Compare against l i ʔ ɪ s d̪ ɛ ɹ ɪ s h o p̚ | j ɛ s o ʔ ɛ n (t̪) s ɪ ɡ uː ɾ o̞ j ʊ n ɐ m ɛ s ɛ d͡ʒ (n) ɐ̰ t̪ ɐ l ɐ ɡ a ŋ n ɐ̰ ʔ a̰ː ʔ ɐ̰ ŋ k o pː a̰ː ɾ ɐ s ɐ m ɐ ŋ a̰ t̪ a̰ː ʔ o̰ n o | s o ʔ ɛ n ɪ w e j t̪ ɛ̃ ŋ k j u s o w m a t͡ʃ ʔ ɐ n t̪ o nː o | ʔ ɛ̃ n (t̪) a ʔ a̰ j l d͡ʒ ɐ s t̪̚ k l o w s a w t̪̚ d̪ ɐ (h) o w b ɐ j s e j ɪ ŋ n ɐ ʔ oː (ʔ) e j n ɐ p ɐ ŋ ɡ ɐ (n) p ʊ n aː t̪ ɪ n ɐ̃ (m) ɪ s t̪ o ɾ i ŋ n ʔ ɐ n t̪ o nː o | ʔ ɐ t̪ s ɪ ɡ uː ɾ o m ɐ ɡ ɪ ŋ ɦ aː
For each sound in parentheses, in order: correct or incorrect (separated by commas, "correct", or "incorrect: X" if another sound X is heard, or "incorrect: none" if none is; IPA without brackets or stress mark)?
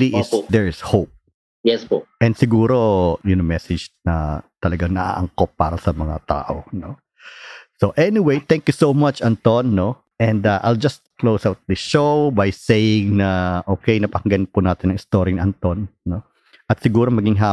incorrect: d̪, correct, incorrect: d̪, incorrect: ʃ, incorrect: k, correct, incorrect: ŋ